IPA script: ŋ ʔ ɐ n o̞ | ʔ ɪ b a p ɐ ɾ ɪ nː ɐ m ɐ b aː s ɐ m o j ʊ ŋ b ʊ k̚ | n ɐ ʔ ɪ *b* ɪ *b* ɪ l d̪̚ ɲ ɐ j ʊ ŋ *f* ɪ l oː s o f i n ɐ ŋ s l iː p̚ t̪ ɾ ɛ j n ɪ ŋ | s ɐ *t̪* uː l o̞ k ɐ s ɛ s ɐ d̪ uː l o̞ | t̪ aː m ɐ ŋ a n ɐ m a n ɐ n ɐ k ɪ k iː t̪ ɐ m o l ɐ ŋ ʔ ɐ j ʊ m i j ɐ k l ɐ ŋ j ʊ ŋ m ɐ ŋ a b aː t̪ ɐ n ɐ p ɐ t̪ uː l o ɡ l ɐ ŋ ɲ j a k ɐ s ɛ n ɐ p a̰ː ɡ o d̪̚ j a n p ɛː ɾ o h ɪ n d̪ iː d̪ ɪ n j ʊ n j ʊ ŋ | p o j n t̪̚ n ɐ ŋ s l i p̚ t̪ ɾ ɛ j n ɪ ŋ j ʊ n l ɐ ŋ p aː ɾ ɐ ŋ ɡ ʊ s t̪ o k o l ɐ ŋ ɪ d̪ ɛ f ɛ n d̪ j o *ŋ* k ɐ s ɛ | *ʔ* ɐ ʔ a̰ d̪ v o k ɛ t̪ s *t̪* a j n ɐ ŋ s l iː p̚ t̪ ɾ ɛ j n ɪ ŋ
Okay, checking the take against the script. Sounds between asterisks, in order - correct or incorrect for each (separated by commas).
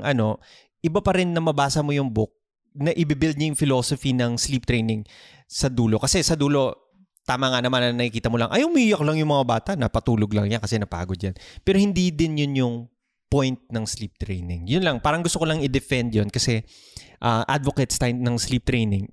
correct, correct, correct, incorrect, incorrect, correct, correct